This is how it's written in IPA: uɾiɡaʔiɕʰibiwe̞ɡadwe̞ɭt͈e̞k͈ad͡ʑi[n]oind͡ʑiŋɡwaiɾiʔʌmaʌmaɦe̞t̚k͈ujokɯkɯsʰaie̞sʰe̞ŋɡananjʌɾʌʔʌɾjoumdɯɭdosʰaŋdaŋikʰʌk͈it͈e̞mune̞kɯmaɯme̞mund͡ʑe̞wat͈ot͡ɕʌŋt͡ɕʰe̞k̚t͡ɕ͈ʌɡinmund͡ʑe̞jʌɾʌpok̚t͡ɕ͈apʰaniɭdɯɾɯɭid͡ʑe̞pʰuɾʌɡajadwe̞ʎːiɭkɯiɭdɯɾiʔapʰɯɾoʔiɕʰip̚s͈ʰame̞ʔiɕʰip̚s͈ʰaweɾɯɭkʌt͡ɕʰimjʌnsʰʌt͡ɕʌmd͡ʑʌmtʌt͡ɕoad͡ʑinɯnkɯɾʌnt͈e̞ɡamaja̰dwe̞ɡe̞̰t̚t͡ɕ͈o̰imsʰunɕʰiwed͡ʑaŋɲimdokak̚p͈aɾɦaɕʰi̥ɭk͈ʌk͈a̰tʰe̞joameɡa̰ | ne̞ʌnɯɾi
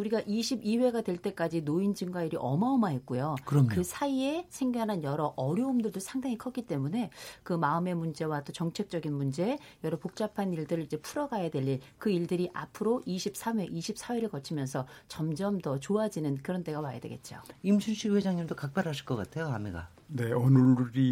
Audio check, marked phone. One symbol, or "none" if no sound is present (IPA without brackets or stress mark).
n